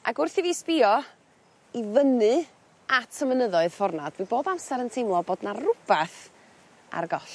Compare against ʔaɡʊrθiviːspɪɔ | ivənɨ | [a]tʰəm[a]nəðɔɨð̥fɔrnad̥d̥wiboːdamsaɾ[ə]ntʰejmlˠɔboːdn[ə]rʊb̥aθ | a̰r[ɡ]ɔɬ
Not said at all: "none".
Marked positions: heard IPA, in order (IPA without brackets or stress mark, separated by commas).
a, ə, ə, a, ɡ